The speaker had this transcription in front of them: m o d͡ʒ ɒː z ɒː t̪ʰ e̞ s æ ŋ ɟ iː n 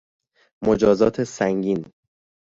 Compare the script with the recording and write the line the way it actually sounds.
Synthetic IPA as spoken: m o d͡ʒ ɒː z ɒː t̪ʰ e̞ s æ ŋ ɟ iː n